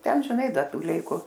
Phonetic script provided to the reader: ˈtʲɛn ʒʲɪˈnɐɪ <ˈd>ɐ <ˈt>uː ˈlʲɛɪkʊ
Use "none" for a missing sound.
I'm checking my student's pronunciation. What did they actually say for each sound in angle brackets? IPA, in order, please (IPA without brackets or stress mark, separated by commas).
d, t